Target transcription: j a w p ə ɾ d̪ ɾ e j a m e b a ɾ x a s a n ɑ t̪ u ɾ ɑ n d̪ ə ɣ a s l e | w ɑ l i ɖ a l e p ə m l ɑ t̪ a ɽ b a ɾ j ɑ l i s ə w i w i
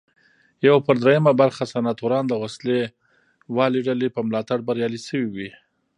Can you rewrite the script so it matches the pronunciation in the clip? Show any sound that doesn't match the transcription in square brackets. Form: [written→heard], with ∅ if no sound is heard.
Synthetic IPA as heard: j a w p ə ɾ d̪ ɾ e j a m [e→a] b a ɾ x a s a n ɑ t̪ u ɾ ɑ n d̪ ə [ɣ→w] a s l e | w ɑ l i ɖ a l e p ə m l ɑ t̪ a ɽ b a ɾ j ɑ l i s ə w i w i